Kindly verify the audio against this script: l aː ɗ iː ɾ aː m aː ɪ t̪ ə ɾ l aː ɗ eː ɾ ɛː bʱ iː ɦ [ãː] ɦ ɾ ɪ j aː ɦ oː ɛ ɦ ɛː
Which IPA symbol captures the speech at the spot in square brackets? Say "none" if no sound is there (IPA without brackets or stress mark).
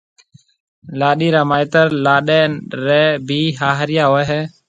aː